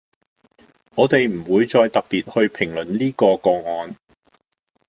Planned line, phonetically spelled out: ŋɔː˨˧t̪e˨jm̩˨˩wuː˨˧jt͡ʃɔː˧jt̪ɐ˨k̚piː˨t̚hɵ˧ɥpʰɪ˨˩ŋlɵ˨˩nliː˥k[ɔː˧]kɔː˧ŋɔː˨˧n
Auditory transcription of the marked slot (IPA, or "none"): ɔː˧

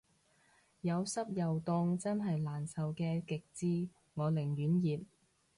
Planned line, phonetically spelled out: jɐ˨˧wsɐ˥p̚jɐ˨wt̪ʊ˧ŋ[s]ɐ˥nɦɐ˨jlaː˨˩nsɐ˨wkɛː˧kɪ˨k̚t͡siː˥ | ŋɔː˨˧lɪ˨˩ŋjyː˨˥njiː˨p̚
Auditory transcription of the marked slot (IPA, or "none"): t͡s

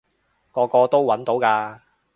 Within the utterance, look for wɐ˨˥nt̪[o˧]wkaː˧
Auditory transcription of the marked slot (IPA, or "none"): o˨˥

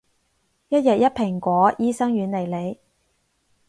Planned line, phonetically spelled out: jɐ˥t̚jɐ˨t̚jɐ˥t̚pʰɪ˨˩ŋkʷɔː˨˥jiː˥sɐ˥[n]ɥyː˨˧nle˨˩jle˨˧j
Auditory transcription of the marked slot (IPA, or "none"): ŋ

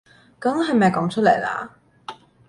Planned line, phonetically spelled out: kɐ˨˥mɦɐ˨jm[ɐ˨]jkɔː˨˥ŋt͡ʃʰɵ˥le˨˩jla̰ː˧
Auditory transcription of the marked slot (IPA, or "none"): ɐ˨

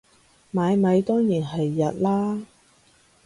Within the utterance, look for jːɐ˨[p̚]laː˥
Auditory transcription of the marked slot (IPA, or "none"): t̚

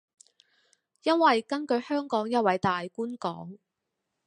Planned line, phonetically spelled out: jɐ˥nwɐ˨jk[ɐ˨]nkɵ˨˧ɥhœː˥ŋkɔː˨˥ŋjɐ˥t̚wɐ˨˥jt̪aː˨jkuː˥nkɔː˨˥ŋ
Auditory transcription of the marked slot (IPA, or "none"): ɐ˥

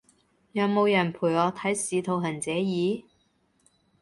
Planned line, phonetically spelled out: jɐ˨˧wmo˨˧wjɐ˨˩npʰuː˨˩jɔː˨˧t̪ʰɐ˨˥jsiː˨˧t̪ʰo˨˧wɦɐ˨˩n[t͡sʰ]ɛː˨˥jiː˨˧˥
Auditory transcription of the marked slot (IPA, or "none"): t͡s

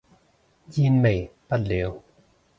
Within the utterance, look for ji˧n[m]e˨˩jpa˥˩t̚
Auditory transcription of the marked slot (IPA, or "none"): m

